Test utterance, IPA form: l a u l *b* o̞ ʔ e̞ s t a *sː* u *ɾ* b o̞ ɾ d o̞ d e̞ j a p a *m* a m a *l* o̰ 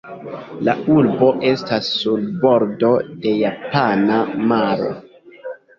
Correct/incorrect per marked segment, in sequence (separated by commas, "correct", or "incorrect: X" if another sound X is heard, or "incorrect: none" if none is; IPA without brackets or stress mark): correct, correct, incorrect: l, incorrect: n, incorrect: ɾ